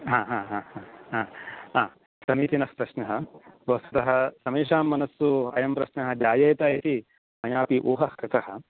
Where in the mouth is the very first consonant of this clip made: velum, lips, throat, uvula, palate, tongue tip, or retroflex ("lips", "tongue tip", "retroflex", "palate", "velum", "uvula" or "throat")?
throat